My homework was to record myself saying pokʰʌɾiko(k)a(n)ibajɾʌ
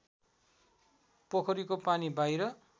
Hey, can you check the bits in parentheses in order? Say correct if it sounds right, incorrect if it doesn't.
incorrect: p, correct

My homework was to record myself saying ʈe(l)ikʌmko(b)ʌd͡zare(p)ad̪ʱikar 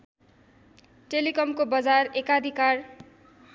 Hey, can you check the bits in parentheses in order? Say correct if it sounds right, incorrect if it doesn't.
correct, correct, incorrect: k

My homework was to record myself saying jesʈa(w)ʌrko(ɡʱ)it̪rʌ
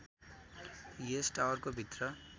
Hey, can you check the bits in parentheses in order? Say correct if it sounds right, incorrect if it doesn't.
correct, incorrect: bʱ

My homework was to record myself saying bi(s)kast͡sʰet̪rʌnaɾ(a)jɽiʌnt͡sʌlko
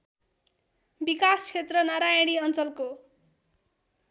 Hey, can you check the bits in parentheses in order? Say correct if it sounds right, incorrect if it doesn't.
incorrect: none, correct

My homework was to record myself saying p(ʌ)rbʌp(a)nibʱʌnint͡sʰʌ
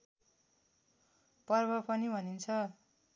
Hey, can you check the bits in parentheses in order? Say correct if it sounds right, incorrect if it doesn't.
correct, incorrect: ʌ

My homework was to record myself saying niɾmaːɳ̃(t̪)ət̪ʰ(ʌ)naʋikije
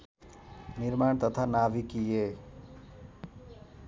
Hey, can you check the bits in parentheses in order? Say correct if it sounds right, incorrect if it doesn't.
correct, incorrect: a

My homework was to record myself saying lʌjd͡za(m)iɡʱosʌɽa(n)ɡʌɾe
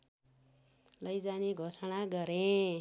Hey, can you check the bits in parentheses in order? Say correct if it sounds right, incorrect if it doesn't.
incorrect: n, incorrect: none

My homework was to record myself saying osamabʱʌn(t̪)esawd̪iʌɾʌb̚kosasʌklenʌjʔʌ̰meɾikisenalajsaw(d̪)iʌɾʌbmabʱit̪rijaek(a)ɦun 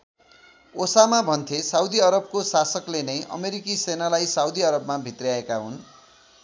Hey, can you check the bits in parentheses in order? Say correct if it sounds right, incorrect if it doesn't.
incorrect: t̪ʰ, correct, correct

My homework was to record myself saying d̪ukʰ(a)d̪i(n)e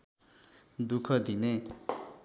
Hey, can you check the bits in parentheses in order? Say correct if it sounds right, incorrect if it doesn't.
incorrect: ʌ, correct

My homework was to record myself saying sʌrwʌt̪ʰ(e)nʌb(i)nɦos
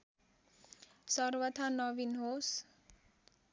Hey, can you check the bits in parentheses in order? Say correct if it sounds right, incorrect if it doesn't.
incorrect: a, correct

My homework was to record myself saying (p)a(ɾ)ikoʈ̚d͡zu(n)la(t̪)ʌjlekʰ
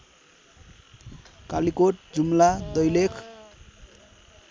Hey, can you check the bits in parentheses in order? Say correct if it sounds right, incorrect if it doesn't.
incorrect: k, incorrect: l, incorrect: m, incorrect: d̪

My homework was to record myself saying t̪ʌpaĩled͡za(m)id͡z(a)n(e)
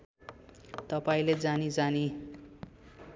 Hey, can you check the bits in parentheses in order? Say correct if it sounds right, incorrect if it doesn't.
incorrect: n, correct, incorrect: i

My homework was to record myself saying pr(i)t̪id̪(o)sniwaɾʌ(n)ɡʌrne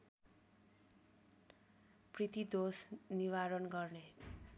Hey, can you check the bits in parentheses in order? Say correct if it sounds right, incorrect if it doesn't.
correct, correct, correct

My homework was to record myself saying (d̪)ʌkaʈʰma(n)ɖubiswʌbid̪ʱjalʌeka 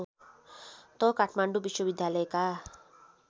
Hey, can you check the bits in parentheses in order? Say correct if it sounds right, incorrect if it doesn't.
incorrect: t̪, incorrect: ɳ

